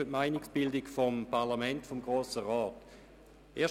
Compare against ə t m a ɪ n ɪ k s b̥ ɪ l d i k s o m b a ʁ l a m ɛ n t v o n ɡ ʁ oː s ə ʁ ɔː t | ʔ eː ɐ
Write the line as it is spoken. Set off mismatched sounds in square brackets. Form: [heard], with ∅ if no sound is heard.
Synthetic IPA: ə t m a ɪ n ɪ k s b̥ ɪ l d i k [f] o m [p] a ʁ l a m ɛ n t [f] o [m] ɡ ʁ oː s ə ʁ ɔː t | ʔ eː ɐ